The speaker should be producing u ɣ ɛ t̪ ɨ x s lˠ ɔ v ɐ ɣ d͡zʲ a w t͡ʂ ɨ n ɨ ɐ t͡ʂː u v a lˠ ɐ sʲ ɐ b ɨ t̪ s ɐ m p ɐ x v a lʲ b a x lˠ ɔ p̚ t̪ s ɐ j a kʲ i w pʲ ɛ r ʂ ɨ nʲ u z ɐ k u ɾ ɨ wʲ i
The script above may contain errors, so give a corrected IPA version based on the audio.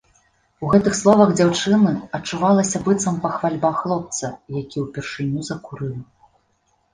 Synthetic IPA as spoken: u ɣ ɛ t̪ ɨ x s lˠ ɔ v ɐ ɣ d͡zʲ a w t͡ʂ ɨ n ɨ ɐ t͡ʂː u v a lˠ ɐ sʲ ɐ b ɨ t̪ s ɐ m p ɐ x v a lʲ b a x lˠ ɔ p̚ t̪ s ɐ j a kʲ i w pʲ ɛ r ʂ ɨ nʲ u z ɐ k u ɾ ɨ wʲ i